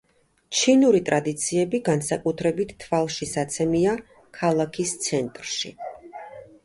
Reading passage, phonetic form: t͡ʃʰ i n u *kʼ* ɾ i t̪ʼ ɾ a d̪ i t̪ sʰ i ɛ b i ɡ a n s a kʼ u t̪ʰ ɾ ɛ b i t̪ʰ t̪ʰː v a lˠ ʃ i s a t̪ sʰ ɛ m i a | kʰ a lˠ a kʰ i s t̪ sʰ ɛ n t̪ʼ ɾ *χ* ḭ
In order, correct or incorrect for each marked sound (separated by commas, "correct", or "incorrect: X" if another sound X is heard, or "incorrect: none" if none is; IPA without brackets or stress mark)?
incorrect: none, incorrect: ʃ